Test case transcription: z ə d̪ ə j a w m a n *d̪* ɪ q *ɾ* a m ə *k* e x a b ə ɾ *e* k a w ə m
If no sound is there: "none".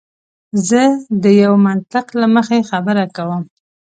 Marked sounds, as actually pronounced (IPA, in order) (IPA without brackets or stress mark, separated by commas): t̪, l, x, a